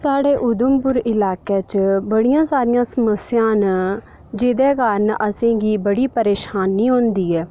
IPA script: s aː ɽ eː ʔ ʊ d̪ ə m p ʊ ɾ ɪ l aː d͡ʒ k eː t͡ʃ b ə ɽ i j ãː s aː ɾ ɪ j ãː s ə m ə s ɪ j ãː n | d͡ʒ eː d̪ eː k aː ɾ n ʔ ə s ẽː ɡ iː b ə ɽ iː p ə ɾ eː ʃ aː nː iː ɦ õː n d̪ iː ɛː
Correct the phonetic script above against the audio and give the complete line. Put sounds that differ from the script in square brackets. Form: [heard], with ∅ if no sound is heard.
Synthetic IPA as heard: s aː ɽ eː ʔ ʊ d̪ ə m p ʊ ɾ ɪ l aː [∅] k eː t͡ʃ b ə ɽ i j ãː s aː ɾ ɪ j ãː s ə m ə s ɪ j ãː n | d͡ʒ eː d̪ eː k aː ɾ n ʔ ə s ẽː ɡ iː b ə ɽ iː p ə ɾ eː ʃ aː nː iː ɦ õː n d̪ iː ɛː